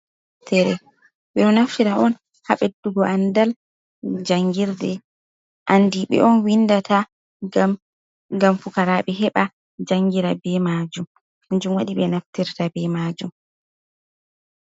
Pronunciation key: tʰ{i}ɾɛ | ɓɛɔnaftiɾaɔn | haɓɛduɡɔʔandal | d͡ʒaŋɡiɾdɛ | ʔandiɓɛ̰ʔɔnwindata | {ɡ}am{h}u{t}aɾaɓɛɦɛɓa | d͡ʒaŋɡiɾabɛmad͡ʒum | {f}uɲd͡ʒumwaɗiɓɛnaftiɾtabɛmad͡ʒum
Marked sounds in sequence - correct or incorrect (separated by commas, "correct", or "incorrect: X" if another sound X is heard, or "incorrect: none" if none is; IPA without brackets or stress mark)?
incorrect: ɛ, correct, incorrect: f, incorrect: k, incorrect: h